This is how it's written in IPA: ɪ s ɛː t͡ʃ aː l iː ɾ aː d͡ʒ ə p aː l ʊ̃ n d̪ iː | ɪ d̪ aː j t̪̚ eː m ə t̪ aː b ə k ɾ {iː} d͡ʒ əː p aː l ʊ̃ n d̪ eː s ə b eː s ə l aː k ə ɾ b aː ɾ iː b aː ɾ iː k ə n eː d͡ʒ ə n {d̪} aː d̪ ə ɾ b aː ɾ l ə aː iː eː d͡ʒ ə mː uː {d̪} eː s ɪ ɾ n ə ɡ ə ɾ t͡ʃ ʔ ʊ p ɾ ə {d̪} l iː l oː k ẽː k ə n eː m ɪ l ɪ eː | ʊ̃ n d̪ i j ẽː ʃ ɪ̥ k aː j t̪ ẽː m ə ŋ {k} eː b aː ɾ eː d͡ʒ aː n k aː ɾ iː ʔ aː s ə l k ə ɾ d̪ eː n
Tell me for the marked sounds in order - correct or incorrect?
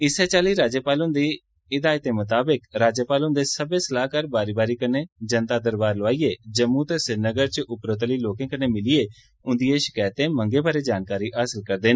incorrect, incorrect, incorrect, incorrect, incorrect

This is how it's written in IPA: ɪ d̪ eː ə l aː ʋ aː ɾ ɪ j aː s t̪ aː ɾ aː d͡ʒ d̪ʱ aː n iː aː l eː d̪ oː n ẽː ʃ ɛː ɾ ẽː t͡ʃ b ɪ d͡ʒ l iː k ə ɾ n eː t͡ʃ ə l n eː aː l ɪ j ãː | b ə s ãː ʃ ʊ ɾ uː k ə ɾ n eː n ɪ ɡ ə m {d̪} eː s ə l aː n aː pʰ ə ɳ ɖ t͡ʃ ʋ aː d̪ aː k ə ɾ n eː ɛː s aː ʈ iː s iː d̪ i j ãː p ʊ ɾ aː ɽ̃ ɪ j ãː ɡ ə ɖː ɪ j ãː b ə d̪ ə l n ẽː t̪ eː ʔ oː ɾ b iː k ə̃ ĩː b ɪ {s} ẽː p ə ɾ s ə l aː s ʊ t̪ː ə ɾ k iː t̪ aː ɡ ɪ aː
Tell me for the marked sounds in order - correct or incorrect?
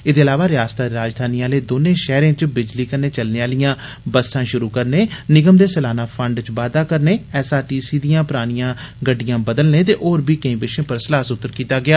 correct, incorrect

